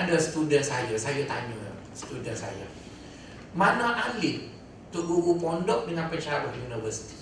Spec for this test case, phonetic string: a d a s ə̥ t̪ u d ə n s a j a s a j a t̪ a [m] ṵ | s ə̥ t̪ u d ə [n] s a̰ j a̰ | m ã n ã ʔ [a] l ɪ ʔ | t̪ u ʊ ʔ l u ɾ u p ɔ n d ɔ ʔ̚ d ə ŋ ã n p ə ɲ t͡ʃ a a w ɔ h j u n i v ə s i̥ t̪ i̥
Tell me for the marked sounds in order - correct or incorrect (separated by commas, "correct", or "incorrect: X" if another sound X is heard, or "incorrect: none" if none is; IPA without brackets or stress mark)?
incorrect: ɲ, correct, correct